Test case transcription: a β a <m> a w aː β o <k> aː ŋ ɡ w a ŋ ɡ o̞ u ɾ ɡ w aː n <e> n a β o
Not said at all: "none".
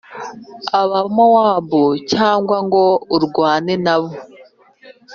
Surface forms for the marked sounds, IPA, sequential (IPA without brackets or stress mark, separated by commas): m, c, e